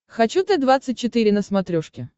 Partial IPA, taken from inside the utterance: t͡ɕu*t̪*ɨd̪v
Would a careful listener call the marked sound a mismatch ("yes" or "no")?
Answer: no